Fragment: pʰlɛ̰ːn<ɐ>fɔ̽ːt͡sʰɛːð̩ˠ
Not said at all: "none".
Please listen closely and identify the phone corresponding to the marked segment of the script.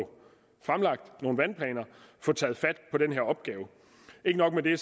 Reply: ɐ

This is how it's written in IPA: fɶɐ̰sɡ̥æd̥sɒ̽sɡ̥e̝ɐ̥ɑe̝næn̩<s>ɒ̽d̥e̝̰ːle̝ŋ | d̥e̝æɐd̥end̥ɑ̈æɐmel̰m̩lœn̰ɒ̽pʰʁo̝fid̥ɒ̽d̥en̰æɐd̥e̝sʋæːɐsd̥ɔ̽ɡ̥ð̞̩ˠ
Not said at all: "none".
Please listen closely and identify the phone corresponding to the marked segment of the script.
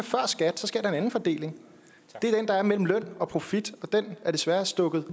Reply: f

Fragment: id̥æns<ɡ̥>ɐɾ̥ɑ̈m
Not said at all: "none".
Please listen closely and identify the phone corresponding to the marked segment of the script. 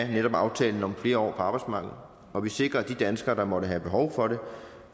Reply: ɡ̥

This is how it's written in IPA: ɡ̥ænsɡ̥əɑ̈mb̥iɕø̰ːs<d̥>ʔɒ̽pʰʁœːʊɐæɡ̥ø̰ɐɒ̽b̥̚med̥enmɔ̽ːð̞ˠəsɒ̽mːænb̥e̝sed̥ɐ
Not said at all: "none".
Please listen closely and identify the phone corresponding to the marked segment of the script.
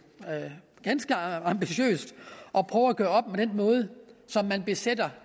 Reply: d̥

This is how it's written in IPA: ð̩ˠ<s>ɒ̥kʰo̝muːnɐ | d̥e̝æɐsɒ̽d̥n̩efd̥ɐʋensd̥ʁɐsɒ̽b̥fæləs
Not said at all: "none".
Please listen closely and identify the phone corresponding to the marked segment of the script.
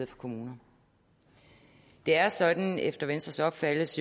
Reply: f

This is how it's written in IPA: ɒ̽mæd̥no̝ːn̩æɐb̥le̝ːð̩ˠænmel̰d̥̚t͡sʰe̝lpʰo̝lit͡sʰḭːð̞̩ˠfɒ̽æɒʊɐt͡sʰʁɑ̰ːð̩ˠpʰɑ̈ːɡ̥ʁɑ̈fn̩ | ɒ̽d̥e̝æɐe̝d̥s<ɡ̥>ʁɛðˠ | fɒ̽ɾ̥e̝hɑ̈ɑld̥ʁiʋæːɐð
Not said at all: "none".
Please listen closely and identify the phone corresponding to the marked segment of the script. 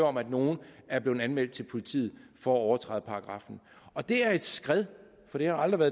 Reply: ɡ̥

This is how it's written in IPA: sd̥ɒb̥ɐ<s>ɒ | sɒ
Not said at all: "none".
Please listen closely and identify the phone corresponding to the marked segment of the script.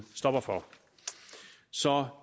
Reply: f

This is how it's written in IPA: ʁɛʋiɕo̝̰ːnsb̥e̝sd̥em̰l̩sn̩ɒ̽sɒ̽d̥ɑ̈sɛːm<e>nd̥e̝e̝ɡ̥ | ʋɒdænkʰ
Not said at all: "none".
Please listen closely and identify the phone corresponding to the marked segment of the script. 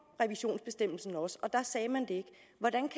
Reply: æ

